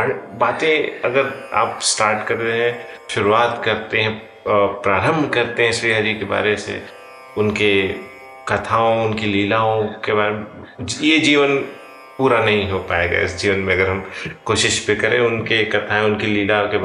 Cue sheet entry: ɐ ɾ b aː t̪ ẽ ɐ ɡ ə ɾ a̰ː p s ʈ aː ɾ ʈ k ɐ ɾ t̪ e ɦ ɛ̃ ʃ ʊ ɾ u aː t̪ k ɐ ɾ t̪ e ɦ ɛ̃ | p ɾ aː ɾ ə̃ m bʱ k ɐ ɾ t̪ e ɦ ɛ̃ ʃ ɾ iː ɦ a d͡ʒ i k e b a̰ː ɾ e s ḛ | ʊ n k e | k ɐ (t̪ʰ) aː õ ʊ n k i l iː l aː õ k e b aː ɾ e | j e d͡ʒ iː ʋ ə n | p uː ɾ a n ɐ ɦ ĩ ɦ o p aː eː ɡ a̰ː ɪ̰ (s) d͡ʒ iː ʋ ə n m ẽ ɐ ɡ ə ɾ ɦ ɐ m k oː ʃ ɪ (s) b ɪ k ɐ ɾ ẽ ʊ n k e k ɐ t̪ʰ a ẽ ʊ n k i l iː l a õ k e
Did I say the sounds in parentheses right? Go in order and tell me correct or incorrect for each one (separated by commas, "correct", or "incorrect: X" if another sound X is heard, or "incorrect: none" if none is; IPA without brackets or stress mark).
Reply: correct, correct, incorrect: ʃ